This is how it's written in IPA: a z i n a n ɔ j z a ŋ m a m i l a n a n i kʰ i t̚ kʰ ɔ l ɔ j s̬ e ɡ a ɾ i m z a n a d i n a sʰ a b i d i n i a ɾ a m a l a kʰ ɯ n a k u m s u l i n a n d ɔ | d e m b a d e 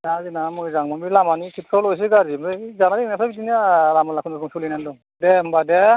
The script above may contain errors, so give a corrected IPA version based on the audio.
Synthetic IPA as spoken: a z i n a m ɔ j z a ŋ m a m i l a m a n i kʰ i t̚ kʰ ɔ l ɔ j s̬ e ɡ a ɾ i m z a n a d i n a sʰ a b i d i n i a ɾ a m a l a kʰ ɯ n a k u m s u l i n a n d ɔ | d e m b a d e